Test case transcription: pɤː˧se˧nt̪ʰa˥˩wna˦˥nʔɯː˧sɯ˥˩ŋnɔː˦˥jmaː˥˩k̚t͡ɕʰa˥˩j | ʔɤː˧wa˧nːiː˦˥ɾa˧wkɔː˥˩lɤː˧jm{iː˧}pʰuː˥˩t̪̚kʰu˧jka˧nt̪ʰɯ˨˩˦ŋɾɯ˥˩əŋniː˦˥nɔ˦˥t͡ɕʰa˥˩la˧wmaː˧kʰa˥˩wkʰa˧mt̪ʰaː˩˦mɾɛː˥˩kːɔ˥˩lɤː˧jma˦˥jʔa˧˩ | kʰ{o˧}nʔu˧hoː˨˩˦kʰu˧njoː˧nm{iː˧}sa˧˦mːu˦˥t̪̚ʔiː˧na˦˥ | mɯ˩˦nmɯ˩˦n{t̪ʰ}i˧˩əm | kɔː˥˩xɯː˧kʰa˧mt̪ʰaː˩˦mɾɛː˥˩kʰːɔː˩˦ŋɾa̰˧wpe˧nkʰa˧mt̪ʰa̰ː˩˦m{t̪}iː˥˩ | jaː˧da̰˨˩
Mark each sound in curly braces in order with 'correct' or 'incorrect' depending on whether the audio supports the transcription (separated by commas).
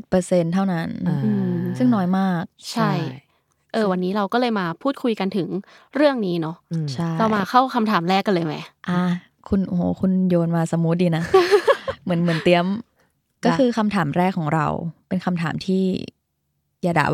incorrect, incorrect, incorrect, incorrect, incorrect